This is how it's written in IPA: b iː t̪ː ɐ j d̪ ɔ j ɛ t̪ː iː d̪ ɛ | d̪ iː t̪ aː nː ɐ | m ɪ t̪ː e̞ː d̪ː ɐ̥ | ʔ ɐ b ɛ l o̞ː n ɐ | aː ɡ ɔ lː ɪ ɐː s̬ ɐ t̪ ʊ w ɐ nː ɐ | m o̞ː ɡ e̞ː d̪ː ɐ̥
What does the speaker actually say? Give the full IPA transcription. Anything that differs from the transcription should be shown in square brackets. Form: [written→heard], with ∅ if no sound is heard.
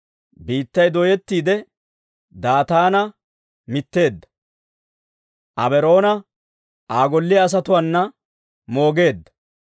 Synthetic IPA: b iː t̪ː ɐ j d̪ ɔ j ɛ t̪ː iː d̪ ɛ | d̪ [iː→aː] t̪ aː [nː→n] ɐ | m ɪ t̪ː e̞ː d̪ː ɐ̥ | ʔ ɐ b ɛ [l→ɾ] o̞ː n ɐ | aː ɡ ɔ lː ɪ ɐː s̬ ɐ t̪ ʊ w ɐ nː ɐ | m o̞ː ɡ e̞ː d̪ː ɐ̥